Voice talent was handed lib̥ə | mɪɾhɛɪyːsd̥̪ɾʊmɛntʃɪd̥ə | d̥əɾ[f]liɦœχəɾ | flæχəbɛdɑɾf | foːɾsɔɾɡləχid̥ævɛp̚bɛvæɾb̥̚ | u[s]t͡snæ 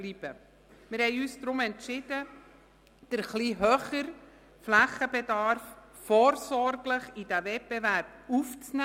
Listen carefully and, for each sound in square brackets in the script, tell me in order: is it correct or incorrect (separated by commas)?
incorrect, incorrect